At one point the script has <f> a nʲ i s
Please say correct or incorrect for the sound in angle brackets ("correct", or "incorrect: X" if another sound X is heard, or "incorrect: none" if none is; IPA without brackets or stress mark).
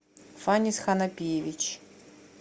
correct